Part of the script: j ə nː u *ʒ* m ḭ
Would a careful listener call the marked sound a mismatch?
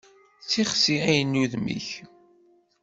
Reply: yes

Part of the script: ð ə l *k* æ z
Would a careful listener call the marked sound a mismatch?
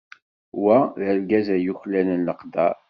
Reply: yes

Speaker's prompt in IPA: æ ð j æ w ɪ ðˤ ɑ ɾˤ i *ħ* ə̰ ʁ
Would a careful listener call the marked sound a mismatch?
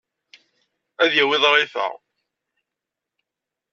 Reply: yes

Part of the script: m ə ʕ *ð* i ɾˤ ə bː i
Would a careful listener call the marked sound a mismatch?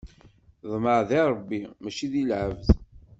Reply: no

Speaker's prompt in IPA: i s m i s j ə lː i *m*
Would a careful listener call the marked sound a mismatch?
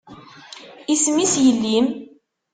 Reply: no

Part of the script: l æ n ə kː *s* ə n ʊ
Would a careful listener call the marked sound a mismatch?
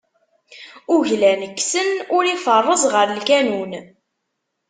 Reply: no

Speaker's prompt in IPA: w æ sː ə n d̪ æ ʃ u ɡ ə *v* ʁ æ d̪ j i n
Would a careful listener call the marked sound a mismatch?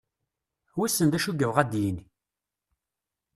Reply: no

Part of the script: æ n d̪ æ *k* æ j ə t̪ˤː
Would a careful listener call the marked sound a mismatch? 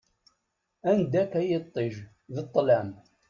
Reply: no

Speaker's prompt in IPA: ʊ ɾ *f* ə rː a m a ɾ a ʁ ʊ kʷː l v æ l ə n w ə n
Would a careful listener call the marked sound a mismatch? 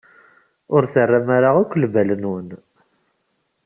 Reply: yes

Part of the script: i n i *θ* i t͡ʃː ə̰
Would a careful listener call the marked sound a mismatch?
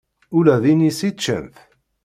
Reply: yes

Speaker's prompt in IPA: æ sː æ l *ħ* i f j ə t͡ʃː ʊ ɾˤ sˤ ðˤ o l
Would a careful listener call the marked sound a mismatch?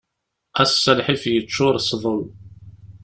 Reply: no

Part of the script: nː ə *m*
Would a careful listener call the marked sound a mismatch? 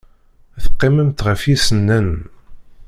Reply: yes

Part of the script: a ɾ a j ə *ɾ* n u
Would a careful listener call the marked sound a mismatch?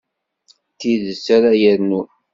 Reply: no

